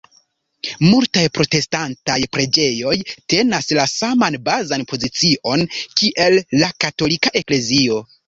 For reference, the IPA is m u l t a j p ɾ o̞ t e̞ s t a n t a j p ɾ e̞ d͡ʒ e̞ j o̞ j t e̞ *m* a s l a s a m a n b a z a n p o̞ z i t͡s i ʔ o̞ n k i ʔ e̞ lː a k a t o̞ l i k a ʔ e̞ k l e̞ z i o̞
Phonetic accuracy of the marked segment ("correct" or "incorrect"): incorrect